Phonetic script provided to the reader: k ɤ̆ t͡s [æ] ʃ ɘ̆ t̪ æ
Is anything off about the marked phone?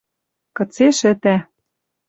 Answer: yes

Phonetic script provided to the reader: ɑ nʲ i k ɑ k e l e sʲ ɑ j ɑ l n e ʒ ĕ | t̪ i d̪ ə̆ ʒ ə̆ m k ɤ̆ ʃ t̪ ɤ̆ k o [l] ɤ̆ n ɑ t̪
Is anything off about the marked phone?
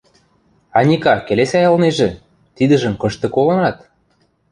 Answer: no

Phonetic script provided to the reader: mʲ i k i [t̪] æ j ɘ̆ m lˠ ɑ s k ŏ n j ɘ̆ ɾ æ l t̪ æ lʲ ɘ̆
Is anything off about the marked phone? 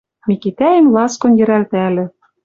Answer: no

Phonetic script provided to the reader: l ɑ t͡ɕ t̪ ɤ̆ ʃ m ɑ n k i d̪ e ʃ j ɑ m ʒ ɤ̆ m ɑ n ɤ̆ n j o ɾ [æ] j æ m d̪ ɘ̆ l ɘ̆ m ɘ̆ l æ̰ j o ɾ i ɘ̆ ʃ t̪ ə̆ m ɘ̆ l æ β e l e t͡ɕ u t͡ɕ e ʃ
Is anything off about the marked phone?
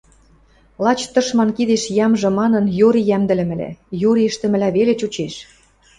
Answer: yes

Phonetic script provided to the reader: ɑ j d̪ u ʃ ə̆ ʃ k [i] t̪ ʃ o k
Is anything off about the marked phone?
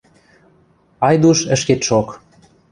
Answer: yes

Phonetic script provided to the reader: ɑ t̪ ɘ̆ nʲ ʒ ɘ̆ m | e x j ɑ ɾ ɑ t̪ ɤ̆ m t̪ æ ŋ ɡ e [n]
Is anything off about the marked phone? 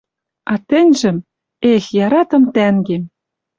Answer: yes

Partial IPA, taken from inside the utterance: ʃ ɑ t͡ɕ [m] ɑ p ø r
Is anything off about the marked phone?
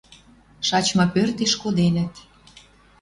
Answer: no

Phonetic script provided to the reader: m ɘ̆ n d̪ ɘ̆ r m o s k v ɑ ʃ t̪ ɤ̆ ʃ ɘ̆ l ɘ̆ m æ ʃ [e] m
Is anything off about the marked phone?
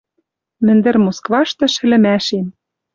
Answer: no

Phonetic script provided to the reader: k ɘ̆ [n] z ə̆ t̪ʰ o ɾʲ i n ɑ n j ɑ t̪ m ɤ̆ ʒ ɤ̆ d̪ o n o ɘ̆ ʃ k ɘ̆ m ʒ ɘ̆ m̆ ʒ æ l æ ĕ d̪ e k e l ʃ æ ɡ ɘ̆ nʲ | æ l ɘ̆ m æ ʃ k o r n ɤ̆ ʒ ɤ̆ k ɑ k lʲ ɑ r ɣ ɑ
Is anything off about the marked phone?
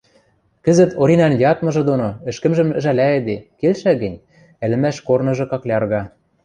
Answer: yes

